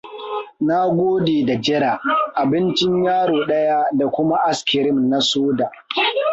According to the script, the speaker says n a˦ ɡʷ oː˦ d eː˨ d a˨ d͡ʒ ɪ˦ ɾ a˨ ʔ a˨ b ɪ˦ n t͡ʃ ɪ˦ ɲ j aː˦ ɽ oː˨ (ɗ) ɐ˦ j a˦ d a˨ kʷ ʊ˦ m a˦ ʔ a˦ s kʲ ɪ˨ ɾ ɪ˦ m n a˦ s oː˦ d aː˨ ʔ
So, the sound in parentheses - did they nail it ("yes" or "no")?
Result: yes